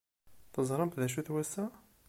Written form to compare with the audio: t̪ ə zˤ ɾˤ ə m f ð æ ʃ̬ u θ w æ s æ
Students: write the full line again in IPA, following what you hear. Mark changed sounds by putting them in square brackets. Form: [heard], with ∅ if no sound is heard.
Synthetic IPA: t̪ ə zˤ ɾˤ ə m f ð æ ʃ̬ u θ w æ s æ